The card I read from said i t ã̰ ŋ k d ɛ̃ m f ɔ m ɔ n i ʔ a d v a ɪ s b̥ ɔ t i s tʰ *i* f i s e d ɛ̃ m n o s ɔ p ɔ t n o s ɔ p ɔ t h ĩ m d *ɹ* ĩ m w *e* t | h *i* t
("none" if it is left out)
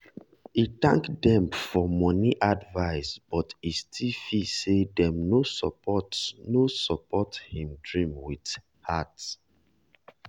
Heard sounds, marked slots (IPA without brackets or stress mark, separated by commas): i, ɹ, i, a